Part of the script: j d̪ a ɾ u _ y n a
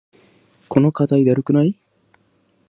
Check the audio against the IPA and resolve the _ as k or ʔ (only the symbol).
k